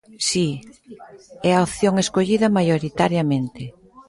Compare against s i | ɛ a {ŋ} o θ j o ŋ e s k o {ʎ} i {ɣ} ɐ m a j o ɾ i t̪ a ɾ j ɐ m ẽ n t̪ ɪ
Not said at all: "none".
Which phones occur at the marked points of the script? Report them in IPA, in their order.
none, ʎ, ð

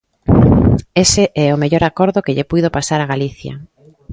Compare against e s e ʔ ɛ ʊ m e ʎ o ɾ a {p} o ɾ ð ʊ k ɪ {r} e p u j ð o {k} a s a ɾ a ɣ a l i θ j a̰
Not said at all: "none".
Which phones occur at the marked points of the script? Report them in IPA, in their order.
k, ʎ, p

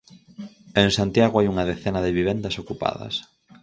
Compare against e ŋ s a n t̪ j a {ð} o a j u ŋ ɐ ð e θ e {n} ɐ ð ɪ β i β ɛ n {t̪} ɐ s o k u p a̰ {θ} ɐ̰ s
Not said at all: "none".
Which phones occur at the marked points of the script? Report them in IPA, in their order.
ɣ, n, d̪, ð

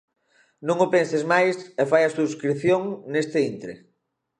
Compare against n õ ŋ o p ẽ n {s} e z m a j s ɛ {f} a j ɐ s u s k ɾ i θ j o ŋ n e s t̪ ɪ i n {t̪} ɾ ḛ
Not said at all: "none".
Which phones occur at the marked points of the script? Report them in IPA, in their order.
s, f, t̪

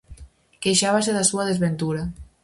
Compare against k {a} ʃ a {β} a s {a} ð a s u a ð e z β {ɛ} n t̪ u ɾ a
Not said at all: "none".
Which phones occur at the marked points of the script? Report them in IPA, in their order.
e, β, e, e

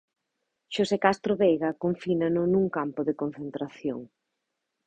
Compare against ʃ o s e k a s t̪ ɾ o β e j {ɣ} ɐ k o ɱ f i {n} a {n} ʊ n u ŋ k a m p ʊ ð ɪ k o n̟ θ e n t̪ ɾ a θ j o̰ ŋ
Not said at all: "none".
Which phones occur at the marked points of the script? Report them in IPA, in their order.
ɣ, n, n

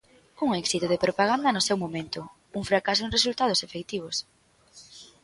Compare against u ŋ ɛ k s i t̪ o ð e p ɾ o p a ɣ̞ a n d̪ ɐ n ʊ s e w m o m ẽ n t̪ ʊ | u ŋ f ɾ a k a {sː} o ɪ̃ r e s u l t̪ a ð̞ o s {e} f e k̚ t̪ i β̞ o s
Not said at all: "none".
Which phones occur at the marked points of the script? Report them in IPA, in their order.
s, e

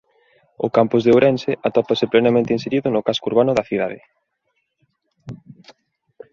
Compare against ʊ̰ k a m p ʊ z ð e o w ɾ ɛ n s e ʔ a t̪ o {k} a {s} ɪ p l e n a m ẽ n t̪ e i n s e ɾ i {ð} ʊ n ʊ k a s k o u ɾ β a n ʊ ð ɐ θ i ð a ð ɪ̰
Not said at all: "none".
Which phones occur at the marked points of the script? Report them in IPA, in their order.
p, s, ð

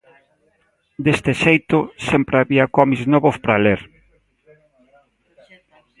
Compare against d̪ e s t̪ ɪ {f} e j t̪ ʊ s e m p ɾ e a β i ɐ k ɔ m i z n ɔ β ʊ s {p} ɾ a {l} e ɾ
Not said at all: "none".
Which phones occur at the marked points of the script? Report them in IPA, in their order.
ʃ, p, l

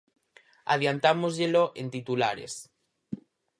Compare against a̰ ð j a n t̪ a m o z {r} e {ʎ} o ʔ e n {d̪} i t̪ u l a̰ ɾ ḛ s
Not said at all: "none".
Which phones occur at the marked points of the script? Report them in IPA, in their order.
ʎ, l, t̪

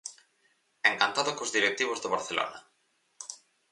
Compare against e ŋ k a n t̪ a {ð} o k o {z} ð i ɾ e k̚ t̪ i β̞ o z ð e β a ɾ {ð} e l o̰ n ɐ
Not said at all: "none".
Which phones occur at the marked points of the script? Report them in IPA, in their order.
ð, z, θ

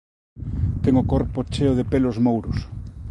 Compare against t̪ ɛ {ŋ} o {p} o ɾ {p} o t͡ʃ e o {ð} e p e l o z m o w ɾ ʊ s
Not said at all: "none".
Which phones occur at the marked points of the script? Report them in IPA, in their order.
ŋ, k, p, ð

